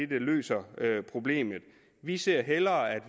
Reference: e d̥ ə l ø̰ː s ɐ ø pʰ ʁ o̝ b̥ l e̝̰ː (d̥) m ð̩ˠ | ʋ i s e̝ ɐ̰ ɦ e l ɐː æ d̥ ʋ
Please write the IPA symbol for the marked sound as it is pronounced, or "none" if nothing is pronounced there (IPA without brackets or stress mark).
none